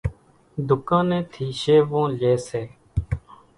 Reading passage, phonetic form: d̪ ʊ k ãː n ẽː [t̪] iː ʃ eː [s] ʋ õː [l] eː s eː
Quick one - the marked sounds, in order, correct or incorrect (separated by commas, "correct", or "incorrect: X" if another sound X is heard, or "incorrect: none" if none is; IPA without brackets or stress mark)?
incorrect: t̪ʰ, incorrect: none, correct